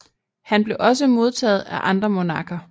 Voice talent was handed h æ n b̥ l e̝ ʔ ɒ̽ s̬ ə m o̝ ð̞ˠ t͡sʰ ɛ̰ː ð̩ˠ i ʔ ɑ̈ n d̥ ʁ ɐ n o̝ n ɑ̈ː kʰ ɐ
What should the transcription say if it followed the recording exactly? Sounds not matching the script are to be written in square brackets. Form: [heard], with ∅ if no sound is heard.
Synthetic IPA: h æ n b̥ l e̝ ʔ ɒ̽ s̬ ə m o̝ ð̞ˠ t͡sʰ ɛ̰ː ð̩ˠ [æ] ʔ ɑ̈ n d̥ ʁ ɐ [m] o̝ n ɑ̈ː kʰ ɐ